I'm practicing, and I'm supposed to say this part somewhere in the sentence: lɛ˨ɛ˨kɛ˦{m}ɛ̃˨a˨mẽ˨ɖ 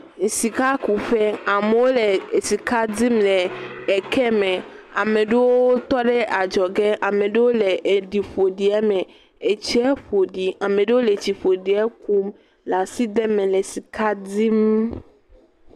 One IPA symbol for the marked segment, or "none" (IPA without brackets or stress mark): m